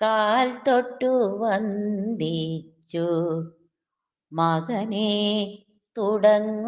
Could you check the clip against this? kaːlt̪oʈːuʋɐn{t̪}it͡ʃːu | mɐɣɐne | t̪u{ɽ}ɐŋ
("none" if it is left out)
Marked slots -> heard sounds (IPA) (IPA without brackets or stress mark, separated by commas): d̪, ɽ